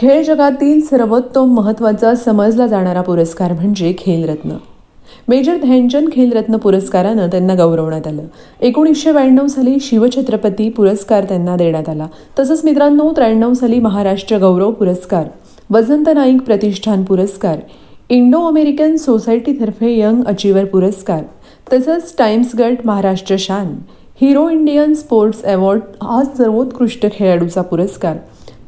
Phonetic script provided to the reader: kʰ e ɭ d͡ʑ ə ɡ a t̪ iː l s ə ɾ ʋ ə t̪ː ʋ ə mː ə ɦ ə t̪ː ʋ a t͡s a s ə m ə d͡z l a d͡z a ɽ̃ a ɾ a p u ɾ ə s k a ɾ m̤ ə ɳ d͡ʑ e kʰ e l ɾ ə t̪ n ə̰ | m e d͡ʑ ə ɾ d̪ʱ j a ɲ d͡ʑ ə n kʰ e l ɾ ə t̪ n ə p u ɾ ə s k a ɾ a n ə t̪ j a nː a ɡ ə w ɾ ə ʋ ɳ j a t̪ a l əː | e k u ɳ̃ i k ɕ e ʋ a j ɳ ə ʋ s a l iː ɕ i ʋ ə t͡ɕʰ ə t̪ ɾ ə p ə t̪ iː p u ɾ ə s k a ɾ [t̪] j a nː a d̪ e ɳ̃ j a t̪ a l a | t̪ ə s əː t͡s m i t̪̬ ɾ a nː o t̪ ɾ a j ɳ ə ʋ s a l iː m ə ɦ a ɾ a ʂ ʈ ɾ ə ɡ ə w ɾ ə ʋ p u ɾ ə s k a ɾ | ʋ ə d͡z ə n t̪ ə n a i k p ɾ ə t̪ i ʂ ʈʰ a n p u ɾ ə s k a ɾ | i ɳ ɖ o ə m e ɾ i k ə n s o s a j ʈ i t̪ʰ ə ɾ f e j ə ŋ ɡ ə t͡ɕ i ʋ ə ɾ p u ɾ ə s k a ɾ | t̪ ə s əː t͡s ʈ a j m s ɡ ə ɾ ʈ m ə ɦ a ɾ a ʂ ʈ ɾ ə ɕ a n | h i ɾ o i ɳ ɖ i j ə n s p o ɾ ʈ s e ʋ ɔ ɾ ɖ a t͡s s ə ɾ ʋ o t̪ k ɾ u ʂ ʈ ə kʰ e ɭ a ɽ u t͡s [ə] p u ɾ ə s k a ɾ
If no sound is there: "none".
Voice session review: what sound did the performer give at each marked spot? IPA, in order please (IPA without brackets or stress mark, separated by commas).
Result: t̪, a